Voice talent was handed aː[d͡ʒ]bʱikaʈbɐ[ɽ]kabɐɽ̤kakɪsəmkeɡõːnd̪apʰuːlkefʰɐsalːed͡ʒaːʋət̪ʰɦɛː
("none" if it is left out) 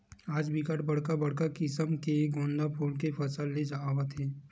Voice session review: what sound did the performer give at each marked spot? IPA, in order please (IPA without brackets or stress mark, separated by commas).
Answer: d͡ʒ, ɽ